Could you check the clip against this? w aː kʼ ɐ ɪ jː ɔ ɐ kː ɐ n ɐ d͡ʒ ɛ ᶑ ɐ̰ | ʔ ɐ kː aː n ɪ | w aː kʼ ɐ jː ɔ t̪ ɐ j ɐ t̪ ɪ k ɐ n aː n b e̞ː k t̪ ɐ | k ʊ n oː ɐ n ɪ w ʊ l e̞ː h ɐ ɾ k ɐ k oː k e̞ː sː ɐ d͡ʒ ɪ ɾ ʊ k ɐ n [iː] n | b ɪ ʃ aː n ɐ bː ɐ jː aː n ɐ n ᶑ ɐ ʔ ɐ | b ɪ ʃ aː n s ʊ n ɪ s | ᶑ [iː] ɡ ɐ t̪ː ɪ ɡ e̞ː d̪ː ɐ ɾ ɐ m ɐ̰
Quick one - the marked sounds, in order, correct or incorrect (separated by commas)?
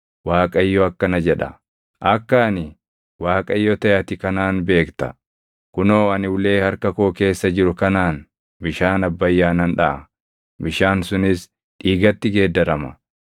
incorrect, correct